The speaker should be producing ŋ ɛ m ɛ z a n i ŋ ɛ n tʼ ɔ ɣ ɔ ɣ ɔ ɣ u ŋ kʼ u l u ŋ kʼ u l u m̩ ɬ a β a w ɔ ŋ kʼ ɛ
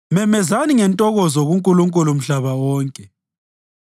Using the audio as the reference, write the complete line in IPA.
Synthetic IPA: m ɛ m ɛ z a n i ŋ ɛ n tʼ ɔ ɣ ɔ z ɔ ɣ u ŋ kʼ u l u ŋ kʼ u l u m̩ ɬ a β a w ɔː ŋ kʼ ɛ

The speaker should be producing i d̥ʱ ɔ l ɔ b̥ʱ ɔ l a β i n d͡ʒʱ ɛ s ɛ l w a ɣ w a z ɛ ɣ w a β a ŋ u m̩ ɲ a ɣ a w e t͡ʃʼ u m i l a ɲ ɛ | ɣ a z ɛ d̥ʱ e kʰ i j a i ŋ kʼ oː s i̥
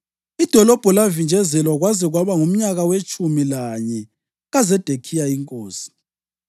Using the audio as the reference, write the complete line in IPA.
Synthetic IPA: i d̥ʱ ɔ l ɔ b̥ʱ ɔ l a v i n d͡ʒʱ ɛ z ɛ l w a ɣ w a z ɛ ɣ w a β a ŋ u m̩ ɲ a ɣ a w e t͡ʃʼ u m i l a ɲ ɛ | ɣ a z ɛ d̥ʱ e kʰ i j a i ŋ kʼ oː s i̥

